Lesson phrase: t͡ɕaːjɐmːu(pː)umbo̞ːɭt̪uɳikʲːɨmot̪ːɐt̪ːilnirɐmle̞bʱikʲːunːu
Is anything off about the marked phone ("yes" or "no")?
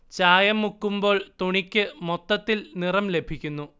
yes